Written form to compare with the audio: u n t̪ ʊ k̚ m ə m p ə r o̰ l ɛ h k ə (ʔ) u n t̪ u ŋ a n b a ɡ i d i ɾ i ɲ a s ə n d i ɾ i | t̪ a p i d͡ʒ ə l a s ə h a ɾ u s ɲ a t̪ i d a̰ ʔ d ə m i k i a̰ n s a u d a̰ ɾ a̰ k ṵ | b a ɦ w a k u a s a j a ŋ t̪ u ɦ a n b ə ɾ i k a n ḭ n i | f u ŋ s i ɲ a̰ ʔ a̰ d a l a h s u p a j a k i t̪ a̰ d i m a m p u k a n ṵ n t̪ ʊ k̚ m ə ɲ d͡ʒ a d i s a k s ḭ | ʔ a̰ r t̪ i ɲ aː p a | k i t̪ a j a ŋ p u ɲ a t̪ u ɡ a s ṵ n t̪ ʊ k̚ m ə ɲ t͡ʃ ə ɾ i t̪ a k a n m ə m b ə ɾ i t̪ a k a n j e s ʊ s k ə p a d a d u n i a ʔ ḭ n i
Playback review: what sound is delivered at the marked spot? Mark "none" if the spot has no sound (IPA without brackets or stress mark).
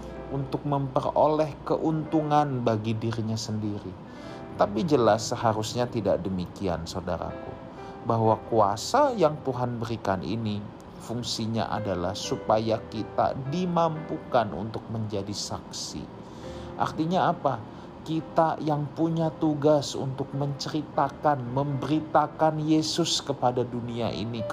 ʔ